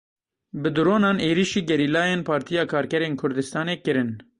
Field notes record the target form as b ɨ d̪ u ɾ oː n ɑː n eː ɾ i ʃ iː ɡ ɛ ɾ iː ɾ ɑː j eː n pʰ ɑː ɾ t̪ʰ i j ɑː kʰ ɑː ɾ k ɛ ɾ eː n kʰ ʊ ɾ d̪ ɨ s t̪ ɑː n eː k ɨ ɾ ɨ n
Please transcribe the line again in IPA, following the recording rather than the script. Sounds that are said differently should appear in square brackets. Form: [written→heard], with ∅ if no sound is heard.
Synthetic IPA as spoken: b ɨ d̪ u ɾ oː n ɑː n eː ɾ i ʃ iː ɡ ɛ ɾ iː [ɾ→l] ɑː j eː n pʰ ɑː ɾ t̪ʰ i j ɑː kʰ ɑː ɾ k ɛ ɾ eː n kʰ ʊ ɾ d̪ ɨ s t̪ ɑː n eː k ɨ ɾ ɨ n